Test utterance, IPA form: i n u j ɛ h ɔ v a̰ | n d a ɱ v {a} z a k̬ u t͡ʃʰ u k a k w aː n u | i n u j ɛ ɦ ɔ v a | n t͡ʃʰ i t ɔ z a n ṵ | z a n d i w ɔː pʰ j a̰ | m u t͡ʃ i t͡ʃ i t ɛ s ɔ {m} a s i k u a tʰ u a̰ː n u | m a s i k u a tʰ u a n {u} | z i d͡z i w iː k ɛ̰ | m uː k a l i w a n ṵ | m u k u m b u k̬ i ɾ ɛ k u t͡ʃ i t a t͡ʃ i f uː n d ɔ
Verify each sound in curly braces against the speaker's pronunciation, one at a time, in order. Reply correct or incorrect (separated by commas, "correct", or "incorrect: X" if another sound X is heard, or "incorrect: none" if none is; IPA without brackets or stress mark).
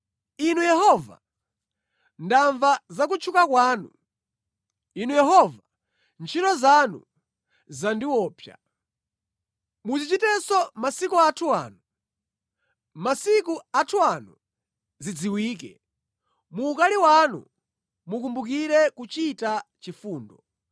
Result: correct, correct, correct